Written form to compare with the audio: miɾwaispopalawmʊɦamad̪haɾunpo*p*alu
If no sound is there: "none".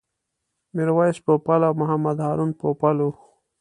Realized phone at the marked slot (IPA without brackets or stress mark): p